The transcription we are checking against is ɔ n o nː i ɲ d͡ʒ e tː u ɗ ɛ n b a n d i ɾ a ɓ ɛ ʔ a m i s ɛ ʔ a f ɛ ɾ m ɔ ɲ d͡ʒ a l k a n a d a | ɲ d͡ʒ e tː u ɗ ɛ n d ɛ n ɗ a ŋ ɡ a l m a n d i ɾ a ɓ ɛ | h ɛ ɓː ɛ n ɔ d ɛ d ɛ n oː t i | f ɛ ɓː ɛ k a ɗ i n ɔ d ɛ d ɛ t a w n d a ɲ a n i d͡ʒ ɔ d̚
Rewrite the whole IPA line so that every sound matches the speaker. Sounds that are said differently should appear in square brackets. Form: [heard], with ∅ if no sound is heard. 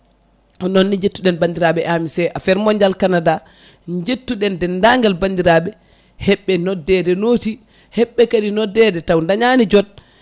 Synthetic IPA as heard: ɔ n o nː i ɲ d͡ʒ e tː u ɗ ɛ n b a n d i ɾ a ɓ ɛ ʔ a m i s ɛ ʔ a f ɛ ɾ m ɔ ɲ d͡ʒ a l k a n a d a | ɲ d͡ʒ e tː u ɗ ɛ n d ɛ n [d] a ŋ ɡ a l [b] a n d i ɾ a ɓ ɛ | h ɛ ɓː ɛ n ɔ d ɛ d ɛ n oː t i | [h] ɛ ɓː ɛ k a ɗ i n ɔ d ɛ d ɛ t a w n d a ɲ a n i d͡ʒ ɔ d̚